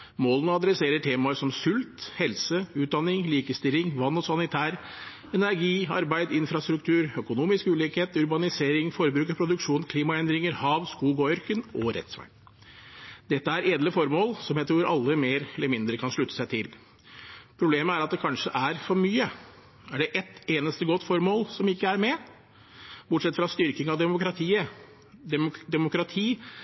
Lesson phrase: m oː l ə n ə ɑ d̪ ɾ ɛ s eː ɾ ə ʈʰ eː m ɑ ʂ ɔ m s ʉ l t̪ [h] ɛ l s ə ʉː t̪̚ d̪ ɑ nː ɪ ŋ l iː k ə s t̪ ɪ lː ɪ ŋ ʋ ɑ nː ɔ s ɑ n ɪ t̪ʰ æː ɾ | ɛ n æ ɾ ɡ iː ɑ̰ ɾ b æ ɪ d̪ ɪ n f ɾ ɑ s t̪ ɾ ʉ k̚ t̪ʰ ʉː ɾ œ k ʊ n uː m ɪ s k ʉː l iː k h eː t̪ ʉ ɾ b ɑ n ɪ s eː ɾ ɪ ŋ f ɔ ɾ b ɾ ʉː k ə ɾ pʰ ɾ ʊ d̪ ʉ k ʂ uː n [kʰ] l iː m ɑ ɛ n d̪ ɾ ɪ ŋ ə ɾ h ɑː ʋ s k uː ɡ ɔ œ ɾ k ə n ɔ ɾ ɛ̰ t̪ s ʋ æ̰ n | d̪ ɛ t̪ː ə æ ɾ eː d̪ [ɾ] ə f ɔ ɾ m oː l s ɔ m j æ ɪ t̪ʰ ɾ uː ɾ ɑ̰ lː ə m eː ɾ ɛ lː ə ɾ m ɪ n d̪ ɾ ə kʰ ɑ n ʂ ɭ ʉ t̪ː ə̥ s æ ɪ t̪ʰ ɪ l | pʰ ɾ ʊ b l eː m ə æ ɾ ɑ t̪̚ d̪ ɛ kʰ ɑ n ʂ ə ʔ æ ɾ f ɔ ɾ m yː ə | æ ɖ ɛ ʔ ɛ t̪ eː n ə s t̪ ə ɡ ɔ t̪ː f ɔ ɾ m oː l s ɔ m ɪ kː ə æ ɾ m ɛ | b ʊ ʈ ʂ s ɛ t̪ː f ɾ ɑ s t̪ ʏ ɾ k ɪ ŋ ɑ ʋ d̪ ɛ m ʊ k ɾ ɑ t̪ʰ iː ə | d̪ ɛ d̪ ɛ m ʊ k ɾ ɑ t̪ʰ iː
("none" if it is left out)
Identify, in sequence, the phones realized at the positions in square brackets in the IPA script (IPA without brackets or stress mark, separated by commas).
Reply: h, kʰ, l